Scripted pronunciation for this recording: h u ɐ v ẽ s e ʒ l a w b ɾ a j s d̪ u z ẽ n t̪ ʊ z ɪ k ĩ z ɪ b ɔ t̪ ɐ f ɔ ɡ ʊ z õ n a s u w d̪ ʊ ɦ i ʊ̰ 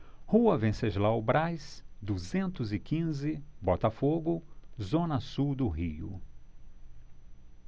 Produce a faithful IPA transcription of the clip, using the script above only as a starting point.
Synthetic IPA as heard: h u ɐ v ẽ s e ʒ l a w b ɾ a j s d̪ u z ẽ n t̪ ʊ z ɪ k ĩ z ɪ b ɔ t̪ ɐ f o ɡ ʊ z õ n ɐ s u w d̪ ʊ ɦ i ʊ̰

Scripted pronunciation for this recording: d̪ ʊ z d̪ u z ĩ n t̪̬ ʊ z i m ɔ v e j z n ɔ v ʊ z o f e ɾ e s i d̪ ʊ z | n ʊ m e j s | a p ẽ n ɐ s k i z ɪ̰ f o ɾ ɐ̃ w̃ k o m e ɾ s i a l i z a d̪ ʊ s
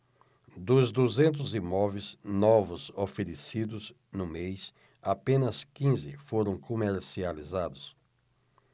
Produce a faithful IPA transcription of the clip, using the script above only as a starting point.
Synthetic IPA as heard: d̪ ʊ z d̪ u z ẽ n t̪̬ ʊ z i m ɔ v e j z n ɔ v ʊ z o f e ɾ e s i d̪ ʊ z | n ʊ m e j s | a p ẽ n ɐ s k ĩ z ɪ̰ f o ɾ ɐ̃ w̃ k o m e ɾ s i a l i z a d̪ ʊ s

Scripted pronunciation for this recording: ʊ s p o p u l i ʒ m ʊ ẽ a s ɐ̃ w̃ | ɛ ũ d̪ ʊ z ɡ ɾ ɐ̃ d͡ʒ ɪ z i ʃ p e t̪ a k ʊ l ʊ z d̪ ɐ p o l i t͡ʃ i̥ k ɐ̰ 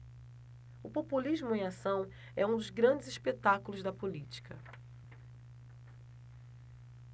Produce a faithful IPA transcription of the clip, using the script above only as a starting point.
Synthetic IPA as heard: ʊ p o p u l i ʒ m ʊ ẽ a s ɐ̃ w̃ | ɛ ũ d̪ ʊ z ɡ ɾ ɐ̃ d͡ʒ ɪ z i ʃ p e t̪ a k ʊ l ʊ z d̪ ɐ p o l i t͡ʃ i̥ k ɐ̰

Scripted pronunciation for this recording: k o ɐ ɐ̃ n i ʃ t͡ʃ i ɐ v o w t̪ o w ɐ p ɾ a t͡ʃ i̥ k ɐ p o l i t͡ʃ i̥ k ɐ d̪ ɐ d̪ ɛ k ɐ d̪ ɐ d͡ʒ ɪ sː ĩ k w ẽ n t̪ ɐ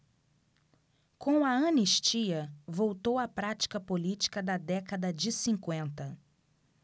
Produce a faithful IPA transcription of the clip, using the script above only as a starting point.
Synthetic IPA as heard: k õ ɐ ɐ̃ n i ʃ t͡ʃ i ɐ v o w t̪ o w ɐ p ɾ a t͡ʃ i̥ k ɐ p o l i t͡ʃ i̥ k ɐ d̪ ɐ d̪ ɛ k ɐ d̪ ɐ d͡ʒ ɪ s ĩ k w ẽ n t̪ ɐ

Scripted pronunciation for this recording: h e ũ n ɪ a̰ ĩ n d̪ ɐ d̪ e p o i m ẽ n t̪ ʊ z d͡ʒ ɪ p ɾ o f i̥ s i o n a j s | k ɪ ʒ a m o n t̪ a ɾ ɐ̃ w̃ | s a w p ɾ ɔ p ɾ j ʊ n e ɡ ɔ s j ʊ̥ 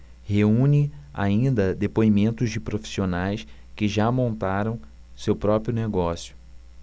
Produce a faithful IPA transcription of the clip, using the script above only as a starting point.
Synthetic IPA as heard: h e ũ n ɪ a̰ ĩ n d̪ ɐ d̪ e p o i m ẽ n t̪ ʊ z d͡ʒ ɪ p ɾ o f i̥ s i o n a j s | k ɪ ʒ a m õ n t̪ a ɾ ɐ̃ w̃ | s e w p ɾ ɔ p ɾ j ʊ n e ɡ ɔ s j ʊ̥

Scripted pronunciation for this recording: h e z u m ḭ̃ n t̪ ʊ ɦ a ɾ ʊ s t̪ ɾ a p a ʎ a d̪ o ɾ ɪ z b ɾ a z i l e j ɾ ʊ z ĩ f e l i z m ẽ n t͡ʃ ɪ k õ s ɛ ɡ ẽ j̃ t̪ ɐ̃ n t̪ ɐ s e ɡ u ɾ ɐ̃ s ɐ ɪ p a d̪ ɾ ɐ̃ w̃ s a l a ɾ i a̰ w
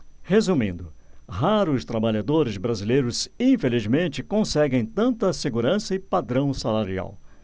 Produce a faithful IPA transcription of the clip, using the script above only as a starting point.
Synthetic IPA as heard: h e z u m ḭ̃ n d̪ ʊ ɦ a ɾ ʊ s t̪ ɾ a b a ʎ a d̪ o ɾ ɪ z b ɾ a z i l e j ɾ ʊ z ĩ f e l i z m ẽ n t͡ʃ ɪ k õ s ɛ ɡ ẽ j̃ t̪ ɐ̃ n t̪ ɐ s e ɡ u ɾ ɐ̃ s ɐ ɪ p a d̪ ɾ ɐ̃ w̃ s a l a ɾ i a̰ w

